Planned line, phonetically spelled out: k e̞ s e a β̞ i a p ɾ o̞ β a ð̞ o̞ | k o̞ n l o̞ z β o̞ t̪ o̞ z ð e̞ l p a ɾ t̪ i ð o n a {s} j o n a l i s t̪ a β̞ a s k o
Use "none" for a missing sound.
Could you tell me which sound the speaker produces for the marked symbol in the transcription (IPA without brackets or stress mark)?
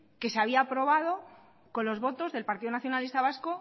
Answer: θ